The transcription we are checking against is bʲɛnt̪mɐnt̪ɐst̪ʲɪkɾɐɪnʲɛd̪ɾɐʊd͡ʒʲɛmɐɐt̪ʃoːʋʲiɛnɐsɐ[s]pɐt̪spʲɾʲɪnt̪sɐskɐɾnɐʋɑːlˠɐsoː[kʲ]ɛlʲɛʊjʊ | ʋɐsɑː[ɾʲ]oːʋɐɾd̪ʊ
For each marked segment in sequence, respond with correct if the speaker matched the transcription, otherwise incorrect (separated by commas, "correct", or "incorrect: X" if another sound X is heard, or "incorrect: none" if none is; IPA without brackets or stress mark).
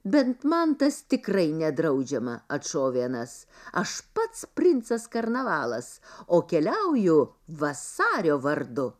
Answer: incorrect: ʃ, correct, correct